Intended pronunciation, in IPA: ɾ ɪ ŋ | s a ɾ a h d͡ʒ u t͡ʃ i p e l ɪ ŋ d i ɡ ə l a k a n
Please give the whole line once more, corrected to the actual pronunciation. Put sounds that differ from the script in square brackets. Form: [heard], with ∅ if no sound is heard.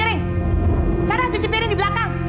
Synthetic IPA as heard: ɾ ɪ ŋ | s a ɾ a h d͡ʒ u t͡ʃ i p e [ɾ] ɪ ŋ d i [b] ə l a k a [ŋ]